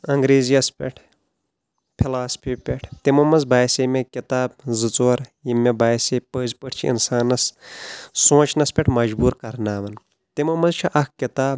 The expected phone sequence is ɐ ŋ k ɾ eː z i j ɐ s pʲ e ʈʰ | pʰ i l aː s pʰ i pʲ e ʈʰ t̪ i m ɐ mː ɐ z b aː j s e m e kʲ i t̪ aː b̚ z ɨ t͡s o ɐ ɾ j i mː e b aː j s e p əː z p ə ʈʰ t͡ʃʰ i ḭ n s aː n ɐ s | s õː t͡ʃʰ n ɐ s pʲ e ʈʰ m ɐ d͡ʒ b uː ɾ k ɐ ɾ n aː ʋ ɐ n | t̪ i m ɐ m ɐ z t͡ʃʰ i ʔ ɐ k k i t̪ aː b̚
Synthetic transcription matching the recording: ɐ ŋ ɡ ɾ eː z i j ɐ s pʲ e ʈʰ | pʰ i l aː s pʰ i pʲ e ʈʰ t̪ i m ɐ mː ɐ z b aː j s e m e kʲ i t̪ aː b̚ z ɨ t͡s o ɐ ɾ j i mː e b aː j s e p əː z p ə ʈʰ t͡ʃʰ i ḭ n s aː n ɐ s | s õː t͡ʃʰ n ɐ s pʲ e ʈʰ m ɐ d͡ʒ b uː ɾ k ɐ ɾ n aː ʋ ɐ n | t̪ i m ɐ m ɐ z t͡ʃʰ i ʔ ɐ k k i t̪ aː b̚

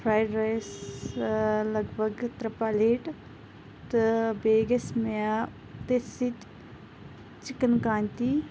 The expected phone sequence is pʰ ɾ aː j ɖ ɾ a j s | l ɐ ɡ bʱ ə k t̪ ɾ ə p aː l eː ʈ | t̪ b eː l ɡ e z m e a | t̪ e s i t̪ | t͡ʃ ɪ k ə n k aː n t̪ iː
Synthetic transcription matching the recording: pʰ ɾ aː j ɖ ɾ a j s | l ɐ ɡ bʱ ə ɡ t̪ ɾ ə p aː l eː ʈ | t̪ b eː ɡ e s m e a | t̪ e s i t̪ | t͡ʃ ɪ k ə n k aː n t̪ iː

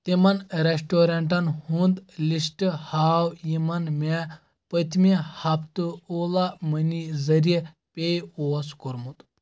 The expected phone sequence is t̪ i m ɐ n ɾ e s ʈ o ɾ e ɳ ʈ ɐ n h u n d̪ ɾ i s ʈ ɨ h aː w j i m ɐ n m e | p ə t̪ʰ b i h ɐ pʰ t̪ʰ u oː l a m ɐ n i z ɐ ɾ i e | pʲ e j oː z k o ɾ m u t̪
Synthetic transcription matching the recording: t̪ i m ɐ n ɾ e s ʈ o ɾ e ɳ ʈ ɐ n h u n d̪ l i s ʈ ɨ h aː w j i m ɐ n m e | p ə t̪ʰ m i h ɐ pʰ t̪ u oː l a m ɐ n i z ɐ ɾ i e | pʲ e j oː s k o ɾ m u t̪

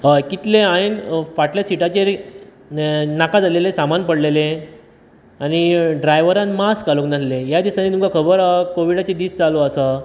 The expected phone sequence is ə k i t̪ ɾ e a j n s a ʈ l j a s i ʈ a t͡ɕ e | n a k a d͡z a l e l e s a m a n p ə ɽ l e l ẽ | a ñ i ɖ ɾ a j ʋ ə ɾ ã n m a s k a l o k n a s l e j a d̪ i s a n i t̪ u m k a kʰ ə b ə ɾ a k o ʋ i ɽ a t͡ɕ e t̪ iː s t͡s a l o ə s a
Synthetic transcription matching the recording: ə k i t̪ l e a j n f a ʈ l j a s i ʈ a t͡ɕ e | n a k a d͡z a l e l e s a m a n p ə ɽ l e l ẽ | a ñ i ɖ ɾ a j ʋ ə ɾ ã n m a s k a l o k n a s l e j a d̪ i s a n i t̪ u m k a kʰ ə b ə ɾ a k o ʋ i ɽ a t͡ɕ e d̪ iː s t͡s a l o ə s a

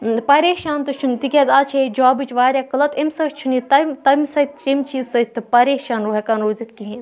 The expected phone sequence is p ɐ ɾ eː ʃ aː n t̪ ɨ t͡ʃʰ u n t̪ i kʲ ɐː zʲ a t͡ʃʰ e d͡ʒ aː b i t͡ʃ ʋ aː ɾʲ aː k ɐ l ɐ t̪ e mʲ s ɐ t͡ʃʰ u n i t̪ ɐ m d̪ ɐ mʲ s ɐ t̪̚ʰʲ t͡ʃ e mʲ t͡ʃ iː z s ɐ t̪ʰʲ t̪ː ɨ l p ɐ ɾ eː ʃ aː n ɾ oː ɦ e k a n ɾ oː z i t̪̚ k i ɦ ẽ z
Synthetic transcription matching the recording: p ɐ ɾ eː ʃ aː n t̪ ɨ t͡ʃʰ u n t̪ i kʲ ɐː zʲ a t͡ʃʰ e d͡ʒ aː b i t͡ʃ ʋ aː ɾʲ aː k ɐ l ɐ t̪ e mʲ s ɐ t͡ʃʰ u n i t̪ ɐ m t̪ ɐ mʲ s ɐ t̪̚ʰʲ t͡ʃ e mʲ t͡ʃ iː z s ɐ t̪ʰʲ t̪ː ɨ p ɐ ɾ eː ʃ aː n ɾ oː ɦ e k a n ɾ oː z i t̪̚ k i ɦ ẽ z

